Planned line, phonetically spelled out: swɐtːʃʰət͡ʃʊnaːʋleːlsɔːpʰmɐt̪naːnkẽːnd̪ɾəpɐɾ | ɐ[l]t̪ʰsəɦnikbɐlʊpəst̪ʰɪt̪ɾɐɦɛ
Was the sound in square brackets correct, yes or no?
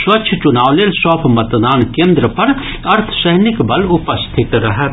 no